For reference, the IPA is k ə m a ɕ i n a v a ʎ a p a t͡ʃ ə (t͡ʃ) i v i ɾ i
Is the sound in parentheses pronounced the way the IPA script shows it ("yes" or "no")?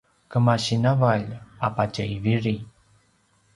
no